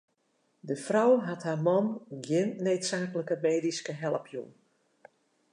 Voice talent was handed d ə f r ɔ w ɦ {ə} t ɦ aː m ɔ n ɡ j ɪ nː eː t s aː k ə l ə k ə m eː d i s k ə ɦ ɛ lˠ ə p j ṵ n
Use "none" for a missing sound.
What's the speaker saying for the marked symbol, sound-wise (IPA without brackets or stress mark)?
a